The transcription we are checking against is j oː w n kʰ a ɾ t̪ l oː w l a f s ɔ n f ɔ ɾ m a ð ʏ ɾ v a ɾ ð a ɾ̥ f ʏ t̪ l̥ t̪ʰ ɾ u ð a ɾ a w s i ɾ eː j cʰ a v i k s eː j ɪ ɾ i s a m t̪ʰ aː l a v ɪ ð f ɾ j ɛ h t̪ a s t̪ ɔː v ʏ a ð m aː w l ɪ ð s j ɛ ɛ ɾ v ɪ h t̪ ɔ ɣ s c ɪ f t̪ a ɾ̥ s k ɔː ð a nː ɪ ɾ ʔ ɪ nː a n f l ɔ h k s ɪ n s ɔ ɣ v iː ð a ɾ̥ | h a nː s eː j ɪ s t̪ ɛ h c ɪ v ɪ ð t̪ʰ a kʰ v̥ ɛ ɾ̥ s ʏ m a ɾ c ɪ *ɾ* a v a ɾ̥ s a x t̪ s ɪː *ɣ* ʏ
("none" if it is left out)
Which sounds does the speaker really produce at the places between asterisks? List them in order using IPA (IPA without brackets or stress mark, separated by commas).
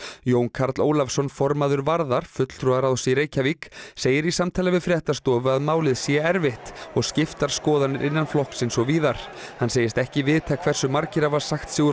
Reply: ɾ, ɣ